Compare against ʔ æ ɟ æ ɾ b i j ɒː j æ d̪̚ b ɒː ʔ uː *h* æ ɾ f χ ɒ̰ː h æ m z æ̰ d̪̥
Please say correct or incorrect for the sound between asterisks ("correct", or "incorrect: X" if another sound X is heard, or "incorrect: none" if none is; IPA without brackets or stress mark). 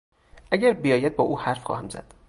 correct